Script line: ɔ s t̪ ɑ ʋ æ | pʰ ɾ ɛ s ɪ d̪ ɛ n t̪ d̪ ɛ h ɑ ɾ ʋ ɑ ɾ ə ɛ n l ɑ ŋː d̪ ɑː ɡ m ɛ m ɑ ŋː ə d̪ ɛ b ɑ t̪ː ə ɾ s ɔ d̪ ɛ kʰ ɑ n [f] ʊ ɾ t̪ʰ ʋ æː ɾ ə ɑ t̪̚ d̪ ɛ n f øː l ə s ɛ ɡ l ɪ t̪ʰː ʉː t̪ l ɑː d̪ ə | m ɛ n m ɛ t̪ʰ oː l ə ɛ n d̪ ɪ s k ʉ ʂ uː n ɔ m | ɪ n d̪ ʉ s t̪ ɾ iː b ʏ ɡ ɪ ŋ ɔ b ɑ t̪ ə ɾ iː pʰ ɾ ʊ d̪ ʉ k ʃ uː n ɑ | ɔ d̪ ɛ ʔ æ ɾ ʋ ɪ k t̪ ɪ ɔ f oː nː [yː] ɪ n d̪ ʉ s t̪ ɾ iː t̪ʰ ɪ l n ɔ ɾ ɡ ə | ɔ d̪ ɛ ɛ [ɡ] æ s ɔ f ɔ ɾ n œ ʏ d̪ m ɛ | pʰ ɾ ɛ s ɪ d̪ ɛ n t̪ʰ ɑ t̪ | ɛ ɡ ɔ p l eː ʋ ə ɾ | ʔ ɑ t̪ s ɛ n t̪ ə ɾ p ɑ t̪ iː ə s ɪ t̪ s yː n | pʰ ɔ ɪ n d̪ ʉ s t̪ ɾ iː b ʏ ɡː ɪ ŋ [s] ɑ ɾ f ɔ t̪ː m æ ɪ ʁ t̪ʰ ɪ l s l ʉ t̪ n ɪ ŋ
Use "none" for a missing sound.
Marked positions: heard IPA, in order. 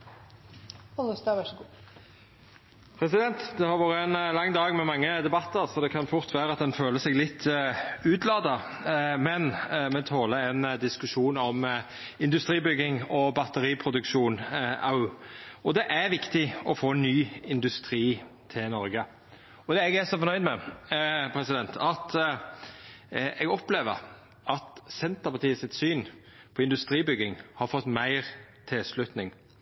f, yː, ɡ, h

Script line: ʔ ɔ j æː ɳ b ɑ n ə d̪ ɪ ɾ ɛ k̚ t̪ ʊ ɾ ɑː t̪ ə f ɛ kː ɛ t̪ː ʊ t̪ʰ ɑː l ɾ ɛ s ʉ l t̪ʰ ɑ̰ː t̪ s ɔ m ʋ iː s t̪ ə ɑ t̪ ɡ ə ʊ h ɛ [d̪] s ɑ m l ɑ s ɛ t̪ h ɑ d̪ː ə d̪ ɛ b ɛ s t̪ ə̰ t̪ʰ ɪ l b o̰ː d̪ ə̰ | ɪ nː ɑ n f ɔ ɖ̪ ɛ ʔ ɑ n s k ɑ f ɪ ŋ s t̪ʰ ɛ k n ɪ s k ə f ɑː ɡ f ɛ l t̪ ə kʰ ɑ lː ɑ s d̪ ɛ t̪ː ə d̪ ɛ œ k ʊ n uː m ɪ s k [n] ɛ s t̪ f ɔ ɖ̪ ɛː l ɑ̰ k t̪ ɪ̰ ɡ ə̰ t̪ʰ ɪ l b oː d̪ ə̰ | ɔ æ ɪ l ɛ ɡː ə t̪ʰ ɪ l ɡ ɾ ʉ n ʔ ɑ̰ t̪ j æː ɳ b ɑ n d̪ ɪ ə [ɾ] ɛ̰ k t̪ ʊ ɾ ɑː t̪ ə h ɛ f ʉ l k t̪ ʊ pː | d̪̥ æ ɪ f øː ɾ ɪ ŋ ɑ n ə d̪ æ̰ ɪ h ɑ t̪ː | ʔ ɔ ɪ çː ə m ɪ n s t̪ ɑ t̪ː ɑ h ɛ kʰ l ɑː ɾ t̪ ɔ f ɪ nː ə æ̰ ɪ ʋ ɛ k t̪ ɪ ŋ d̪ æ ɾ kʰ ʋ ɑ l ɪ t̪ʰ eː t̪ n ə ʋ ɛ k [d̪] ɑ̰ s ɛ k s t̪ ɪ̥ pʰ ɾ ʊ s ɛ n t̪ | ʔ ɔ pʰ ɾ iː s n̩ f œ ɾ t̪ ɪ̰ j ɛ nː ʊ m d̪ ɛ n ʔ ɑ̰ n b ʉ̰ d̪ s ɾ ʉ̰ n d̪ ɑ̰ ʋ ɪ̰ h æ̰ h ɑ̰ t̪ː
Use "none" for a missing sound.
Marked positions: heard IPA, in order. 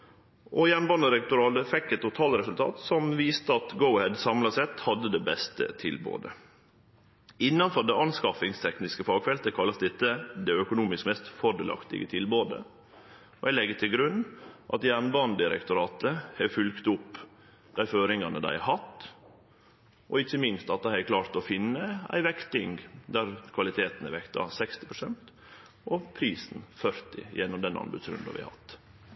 d̪, m, ɾ, t̪

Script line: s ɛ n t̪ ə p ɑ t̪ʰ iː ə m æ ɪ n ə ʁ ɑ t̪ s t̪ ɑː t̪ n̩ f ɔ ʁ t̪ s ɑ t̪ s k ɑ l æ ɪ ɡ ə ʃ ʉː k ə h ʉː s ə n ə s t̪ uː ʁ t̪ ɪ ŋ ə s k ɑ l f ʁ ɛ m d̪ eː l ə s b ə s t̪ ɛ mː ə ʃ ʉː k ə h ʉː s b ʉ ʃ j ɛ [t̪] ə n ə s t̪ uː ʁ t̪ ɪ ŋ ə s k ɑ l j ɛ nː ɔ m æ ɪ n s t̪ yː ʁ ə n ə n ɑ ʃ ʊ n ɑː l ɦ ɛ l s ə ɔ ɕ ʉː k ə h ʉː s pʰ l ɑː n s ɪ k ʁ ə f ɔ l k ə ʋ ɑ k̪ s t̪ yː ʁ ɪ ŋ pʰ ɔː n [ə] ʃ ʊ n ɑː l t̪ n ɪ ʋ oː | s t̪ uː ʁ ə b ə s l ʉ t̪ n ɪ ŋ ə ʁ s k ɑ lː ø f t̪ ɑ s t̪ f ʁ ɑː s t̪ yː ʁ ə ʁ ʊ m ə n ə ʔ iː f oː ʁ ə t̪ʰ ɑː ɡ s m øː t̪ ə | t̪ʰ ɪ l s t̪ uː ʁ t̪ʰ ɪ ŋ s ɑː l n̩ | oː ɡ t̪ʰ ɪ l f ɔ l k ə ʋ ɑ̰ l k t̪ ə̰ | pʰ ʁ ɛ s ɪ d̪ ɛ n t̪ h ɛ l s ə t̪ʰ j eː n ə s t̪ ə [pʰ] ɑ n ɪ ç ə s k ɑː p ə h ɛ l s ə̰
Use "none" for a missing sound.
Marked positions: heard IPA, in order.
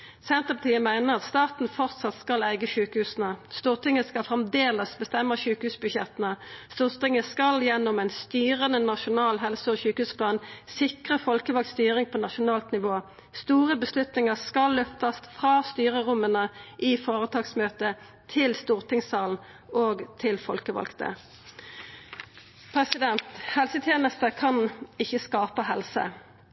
t̪, ɑ, kʰ

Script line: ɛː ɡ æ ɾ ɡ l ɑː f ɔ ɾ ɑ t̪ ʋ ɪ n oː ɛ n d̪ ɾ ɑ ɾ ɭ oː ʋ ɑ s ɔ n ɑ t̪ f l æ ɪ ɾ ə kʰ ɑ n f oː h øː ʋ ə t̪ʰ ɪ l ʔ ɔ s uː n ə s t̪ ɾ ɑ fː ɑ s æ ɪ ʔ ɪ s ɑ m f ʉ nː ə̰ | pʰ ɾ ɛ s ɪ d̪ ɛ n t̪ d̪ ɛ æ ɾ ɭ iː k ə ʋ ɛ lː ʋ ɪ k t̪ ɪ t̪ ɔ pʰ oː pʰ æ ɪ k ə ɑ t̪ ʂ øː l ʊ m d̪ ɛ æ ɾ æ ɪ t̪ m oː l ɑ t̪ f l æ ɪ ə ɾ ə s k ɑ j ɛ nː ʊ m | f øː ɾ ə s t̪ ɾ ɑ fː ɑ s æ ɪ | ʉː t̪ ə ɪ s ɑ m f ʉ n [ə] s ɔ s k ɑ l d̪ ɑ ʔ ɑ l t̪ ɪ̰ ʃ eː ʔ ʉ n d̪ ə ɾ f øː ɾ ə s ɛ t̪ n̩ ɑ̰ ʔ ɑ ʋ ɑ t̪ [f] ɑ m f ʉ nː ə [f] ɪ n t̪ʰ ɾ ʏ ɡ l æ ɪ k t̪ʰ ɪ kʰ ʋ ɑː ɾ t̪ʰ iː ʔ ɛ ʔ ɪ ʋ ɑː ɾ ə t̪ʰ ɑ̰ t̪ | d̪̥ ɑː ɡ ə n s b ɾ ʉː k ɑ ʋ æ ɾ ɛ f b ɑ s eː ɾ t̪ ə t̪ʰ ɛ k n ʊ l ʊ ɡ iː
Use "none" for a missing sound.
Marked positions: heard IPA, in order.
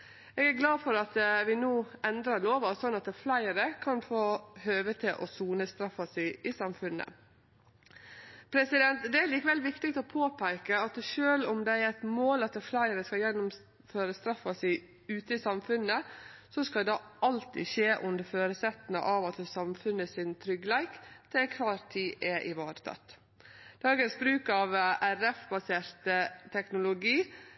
ə, s, s

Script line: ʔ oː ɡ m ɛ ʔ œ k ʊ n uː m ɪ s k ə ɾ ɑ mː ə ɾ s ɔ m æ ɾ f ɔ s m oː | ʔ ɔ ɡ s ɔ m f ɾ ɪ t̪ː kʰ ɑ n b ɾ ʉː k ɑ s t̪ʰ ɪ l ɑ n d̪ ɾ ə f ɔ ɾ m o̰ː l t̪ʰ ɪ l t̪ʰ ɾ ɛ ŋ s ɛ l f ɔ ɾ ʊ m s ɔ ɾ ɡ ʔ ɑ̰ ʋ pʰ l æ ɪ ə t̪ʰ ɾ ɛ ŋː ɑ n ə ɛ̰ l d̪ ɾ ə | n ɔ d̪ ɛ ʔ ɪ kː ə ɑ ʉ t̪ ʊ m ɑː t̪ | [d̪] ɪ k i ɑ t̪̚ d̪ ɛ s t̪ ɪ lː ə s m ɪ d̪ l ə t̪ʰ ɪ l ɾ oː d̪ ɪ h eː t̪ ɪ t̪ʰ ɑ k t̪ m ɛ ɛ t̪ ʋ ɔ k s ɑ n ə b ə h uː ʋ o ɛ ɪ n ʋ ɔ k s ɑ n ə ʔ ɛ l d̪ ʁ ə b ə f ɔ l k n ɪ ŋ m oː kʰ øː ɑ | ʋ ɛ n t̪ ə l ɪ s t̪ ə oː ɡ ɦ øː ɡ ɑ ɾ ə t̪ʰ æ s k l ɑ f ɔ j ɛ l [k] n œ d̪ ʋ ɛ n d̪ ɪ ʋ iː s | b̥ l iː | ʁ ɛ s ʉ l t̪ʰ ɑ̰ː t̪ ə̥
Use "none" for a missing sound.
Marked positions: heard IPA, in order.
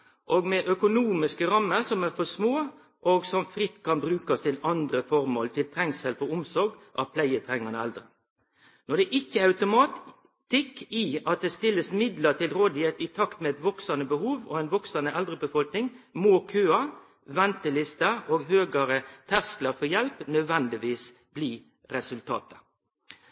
t̪, p

